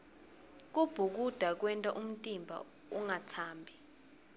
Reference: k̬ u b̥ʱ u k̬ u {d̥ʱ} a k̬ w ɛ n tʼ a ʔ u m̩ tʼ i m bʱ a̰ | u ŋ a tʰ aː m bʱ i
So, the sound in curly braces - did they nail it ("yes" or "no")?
yes